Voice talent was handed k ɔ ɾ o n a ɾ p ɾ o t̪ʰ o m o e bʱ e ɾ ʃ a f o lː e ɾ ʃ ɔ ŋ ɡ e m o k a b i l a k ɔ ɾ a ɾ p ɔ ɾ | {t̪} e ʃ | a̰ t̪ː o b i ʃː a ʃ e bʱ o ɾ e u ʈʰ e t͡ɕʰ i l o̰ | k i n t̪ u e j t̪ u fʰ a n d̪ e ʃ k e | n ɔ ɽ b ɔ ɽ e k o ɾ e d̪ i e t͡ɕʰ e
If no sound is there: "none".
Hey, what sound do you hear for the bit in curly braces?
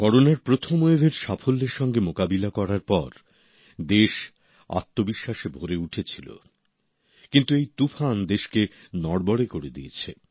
d̪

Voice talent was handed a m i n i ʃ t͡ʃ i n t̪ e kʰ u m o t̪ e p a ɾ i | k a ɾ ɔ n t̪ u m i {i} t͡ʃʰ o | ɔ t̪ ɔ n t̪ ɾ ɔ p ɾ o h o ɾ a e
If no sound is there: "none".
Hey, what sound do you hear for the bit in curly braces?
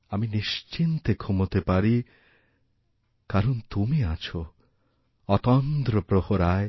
a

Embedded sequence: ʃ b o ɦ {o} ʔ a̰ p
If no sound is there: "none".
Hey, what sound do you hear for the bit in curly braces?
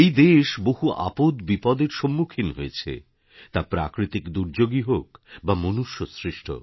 u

